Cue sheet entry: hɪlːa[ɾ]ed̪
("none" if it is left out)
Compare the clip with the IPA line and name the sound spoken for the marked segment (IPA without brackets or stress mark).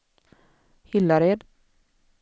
ɾ